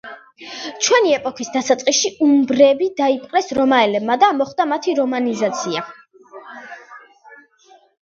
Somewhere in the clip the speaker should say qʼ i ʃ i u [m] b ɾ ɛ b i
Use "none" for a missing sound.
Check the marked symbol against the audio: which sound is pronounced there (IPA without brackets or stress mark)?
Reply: m